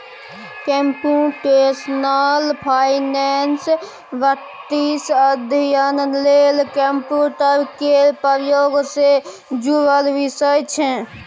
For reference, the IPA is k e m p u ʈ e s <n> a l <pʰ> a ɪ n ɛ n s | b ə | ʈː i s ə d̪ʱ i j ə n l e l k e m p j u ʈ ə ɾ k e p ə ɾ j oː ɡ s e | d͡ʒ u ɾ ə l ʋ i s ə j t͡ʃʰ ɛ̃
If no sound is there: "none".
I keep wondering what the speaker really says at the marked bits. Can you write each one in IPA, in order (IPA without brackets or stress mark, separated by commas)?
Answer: n, pʰ